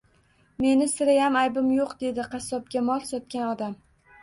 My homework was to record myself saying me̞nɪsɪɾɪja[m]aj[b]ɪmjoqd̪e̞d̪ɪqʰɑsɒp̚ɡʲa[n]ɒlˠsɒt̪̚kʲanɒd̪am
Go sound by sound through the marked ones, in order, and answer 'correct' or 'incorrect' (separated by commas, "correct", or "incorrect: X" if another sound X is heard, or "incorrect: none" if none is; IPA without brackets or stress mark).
correct, correct, incorrect: m